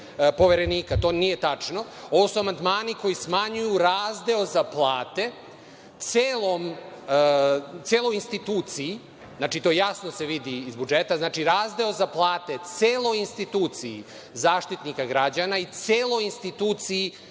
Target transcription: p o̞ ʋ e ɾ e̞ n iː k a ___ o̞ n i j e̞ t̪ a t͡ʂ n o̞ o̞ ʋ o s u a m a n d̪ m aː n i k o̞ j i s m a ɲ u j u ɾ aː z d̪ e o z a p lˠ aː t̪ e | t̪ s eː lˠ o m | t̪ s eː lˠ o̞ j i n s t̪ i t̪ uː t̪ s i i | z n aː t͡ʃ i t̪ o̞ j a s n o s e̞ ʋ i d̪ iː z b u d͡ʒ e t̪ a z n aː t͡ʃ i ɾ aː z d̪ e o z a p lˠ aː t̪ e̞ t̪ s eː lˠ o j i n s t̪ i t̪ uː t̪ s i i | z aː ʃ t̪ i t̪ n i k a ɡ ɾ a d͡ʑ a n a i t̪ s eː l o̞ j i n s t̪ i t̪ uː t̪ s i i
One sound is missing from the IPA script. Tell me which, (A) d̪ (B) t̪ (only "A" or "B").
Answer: B